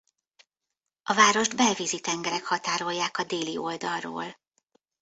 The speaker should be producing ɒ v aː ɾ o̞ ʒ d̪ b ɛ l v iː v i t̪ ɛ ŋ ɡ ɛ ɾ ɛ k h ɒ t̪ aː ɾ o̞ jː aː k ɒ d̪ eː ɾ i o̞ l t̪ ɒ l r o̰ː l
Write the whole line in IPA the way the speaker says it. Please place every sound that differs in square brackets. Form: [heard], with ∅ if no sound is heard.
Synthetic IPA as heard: ɒ v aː ɾ o̞ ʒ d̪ b ɛ l v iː [z] i t̪ ɛ ŋ ɡ ɛ ɾ ɛ k h ɒ t̪ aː ɾ o̞ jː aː k ɒ d̪ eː [l] i o̞ l [d̪] ɒ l r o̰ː l